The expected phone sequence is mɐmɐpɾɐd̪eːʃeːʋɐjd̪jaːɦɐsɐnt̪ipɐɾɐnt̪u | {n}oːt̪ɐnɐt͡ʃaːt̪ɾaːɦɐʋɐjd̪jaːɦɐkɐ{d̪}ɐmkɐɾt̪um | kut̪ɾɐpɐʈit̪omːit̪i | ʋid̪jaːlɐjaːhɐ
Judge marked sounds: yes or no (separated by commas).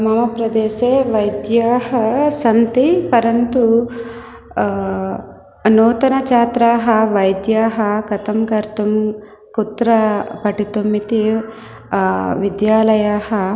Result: yes, no